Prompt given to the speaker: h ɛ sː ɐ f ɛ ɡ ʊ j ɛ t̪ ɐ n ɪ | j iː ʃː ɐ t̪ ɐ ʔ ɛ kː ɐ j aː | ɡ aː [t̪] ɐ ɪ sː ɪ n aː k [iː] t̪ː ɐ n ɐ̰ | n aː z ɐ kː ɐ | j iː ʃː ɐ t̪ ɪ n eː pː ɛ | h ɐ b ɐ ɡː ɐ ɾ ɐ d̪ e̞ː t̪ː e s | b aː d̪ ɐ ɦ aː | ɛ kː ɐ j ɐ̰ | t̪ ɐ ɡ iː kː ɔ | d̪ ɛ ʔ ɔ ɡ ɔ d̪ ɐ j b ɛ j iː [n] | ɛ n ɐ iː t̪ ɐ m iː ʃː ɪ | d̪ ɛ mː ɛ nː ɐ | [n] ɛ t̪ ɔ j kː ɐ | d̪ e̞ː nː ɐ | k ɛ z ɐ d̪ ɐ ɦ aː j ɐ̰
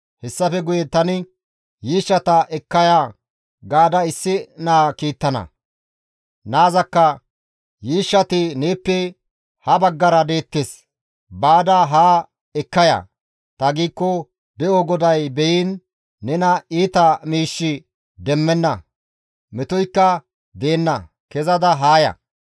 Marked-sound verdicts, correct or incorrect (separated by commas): incorrect, correct, incorrect, incorrect